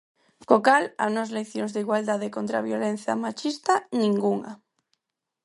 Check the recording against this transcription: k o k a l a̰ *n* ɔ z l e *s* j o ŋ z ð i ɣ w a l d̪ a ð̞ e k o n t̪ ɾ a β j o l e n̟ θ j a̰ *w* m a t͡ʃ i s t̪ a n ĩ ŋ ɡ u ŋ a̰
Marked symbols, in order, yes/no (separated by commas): yes, no, no